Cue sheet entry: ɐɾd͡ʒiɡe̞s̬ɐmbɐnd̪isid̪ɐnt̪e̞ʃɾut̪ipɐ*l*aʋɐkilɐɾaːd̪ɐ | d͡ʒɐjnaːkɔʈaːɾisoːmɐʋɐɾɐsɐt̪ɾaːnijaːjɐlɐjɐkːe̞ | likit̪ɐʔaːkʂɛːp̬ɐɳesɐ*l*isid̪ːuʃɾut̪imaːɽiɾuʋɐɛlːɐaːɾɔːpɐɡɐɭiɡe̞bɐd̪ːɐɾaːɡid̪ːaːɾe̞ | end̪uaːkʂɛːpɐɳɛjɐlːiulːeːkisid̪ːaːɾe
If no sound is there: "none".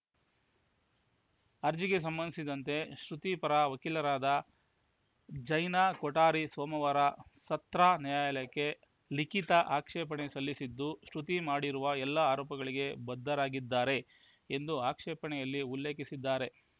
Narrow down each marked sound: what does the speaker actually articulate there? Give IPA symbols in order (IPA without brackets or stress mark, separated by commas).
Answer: ɾ, lː